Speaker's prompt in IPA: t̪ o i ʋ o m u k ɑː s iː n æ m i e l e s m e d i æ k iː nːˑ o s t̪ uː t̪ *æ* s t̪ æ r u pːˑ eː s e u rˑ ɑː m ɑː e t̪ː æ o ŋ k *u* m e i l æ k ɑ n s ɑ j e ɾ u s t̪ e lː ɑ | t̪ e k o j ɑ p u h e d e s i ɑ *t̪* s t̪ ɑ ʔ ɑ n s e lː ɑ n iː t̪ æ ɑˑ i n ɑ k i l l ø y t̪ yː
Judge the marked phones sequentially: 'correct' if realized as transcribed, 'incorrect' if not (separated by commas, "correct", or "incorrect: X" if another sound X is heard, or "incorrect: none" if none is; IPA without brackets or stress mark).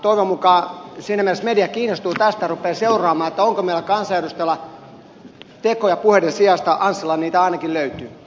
correct, incorrect: o, incorrect: none